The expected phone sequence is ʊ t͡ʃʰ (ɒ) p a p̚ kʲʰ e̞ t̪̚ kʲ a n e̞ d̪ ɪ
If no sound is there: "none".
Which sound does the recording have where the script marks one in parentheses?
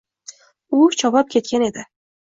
ɒ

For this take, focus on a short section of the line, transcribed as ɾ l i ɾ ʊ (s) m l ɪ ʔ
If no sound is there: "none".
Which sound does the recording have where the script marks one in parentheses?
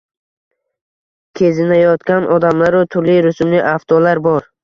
s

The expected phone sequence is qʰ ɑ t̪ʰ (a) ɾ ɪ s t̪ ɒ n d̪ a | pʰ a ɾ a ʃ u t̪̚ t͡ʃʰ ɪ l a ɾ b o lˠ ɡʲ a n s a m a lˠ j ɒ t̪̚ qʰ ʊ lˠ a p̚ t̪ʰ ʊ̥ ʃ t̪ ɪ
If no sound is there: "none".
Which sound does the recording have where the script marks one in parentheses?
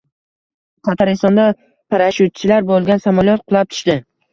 a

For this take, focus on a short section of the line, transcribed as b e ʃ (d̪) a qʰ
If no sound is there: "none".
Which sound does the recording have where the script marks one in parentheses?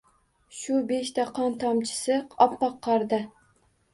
t̪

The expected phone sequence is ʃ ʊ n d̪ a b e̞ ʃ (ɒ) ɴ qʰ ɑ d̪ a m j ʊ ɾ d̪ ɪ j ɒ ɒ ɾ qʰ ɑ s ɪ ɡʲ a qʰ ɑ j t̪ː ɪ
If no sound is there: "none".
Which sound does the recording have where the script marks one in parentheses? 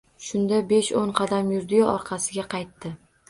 o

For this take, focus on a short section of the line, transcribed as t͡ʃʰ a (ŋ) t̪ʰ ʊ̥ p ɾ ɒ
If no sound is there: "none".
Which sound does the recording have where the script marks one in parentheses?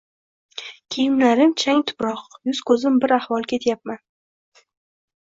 ŋ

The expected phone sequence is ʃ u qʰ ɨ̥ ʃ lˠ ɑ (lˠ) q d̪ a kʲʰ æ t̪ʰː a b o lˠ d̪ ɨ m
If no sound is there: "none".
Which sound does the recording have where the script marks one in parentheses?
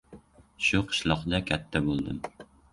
none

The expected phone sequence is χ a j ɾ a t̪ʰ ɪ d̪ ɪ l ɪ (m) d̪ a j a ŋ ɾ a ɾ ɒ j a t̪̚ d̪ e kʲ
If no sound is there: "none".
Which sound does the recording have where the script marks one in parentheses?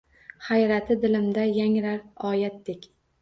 m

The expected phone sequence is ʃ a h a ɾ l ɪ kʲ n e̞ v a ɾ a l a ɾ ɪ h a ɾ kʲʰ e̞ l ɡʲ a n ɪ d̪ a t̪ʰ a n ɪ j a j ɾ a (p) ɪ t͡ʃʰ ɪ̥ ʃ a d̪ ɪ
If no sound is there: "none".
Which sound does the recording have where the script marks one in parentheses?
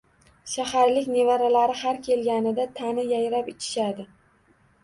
p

